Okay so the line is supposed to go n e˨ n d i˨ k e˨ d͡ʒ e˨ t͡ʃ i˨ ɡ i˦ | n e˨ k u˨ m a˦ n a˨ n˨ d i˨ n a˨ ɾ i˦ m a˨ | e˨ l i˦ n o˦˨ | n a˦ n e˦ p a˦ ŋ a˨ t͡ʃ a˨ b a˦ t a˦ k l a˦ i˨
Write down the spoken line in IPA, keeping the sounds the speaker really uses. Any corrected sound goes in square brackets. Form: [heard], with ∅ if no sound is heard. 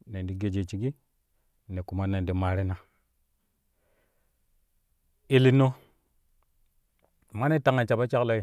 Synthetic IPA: n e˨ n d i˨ [ɡ] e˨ d͡ʒ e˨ t͡ʃ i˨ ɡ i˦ | n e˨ k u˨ m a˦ n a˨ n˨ d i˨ [m] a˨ ɾ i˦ [n] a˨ | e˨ l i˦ n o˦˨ | [m] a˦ n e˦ [t] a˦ ŋ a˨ t͡ʃ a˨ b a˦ [t͡ʃ] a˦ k l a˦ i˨